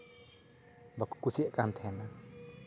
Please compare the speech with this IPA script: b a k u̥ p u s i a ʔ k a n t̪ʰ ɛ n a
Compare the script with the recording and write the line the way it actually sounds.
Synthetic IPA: b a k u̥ k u s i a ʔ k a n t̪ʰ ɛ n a